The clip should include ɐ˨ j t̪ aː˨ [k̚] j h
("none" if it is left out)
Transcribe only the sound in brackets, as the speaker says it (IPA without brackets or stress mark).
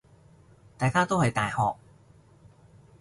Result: none